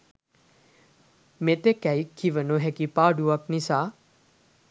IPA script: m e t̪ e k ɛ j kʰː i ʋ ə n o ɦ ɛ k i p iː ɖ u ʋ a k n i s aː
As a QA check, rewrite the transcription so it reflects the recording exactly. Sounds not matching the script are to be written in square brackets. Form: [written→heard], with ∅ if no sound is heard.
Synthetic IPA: m e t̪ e k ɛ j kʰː i ʋ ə n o ɦ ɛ k i p [iː→aː] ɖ u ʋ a k n i s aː